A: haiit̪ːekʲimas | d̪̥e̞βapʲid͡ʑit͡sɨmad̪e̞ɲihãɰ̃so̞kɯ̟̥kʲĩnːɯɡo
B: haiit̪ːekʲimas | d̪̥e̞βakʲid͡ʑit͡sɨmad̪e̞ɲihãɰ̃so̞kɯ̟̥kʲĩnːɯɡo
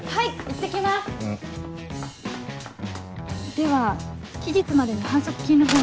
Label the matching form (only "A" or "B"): B